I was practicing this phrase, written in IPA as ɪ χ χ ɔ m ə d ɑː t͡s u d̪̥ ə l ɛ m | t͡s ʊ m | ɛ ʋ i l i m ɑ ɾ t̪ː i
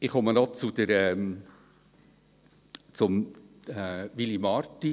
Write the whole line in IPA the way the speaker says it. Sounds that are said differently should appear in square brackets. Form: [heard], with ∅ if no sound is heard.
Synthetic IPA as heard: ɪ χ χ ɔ m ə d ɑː t͡s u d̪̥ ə [ɾ] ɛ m | t͡s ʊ m | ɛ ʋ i l i m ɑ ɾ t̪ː i